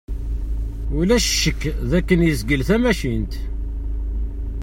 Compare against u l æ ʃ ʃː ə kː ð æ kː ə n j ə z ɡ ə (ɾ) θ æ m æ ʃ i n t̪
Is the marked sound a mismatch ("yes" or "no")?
yes